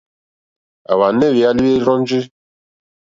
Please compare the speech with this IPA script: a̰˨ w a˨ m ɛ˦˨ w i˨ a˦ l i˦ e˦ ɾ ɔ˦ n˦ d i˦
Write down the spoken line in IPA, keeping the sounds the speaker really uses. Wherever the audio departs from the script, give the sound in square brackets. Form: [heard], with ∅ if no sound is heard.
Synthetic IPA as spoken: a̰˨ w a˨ [n] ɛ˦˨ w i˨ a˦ l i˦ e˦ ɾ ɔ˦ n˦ [d͡ʒ] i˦

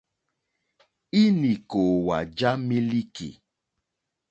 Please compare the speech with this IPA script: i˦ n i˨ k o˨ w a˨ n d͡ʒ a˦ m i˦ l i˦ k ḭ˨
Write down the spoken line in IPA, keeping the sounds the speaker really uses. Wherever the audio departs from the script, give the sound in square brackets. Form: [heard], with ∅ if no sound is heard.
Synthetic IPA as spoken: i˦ n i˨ k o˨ w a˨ [∅] d͡ʒ a˦ m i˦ l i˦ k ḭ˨

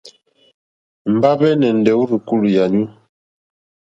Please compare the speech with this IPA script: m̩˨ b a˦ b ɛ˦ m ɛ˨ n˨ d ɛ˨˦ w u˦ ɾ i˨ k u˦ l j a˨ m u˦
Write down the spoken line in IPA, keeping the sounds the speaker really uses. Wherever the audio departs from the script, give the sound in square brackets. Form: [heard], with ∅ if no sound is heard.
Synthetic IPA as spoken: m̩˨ b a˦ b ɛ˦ [n] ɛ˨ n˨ d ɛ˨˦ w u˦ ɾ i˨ k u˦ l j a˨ [ɲ] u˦

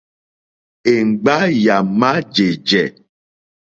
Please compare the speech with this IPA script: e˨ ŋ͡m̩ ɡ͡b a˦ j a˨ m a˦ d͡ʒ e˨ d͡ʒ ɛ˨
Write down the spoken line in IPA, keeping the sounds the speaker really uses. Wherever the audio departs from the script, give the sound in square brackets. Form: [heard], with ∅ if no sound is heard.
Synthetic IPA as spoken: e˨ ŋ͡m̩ ɡ͡b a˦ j a˨ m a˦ d͡ʒ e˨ d͡ʒ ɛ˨

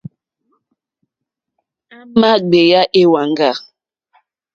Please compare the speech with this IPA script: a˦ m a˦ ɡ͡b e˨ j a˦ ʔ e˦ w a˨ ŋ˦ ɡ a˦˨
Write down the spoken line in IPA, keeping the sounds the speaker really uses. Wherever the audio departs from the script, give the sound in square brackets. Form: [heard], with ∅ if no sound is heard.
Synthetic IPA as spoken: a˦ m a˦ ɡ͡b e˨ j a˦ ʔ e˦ w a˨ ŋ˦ ɡ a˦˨

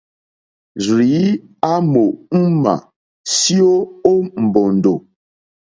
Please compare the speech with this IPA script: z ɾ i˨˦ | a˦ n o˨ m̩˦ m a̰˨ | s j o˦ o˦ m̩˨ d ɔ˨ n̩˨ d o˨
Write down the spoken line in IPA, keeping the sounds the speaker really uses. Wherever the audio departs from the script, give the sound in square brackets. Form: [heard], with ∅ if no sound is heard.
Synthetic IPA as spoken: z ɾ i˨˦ | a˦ [m] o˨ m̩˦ m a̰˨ | s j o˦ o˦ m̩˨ [b] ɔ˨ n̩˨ d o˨

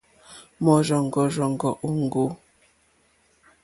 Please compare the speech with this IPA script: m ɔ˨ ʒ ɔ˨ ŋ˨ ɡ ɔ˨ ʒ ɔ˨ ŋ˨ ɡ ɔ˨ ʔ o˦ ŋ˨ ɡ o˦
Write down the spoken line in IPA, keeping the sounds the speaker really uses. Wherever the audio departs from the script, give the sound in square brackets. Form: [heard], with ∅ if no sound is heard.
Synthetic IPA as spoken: m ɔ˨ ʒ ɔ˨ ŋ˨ ɡ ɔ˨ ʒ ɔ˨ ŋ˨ ɡ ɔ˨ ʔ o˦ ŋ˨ ɡ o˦

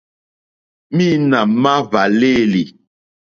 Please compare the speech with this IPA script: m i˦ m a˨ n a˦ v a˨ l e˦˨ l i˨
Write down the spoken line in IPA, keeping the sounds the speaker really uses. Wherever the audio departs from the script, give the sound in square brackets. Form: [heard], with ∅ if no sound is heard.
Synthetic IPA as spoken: m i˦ [n] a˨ [m] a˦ v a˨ l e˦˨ l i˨

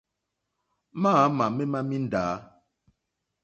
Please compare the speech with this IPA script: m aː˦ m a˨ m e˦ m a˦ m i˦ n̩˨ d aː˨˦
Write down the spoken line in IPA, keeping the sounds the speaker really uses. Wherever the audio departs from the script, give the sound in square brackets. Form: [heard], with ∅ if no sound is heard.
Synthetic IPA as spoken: m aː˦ m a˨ m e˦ m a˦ m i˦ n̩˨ d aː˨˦

